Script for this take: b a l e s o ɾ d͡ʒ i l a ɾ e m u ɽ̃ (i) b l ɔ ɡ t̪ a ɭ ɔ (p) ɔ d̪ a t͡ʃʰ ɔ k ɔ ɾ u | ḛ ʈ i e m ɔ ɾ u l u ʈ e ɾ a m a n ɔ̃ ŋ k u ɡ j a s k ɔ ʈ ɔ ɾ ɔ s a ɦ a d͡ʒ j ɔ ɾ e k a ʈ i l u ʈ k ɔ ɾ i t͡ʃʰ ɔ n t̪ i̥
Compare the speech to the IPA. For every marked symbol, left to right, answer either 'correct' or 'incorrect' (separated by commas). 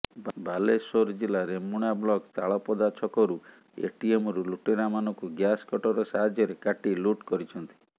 incorrect, correct